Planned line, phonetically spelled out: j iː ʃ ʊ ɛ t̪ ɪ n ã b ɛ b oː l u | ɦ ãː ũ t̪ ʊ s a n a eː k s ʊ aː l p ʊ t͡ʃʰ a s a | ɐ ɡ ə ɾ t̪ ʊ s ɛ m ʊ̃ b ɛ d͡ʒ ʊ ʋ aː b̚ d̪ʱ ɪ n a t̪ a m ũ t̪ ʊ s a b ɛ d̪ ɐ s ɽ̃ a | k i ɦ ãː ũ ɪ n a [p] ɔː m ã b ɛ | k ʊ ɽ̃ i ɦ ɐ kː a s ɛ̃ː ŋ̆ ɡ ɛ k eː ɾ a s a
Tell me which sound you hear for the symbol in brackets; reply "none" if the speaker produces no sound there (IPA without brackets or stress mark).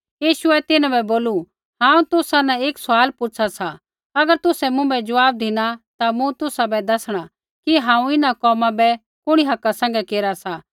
k